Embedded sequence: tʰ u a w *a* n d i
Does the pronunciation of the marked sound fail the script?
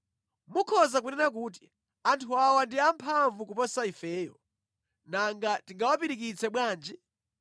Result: no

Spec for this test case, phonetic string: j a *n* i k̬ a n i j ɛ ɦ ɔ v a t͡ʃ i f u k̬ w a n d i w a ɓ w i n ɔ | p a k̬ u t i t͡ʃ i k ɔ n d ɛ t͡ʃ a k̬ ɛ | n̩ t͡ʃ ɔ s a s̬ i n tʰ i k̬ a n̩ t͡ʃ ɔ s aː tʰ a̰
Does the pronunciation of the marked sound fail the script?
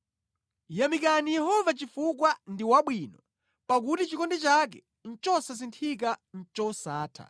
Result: yes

